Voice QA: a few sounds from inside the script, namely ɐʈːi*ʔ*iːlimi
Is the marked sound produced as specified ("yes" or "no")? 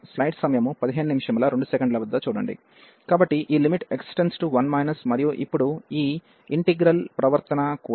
yes